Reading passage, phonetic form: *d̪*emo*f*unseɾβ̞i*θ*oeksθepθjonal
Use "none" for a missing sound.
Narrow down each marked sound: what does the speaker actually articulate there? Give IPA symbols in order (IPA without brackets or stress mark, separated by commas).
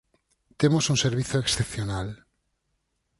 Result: t̪, s, θ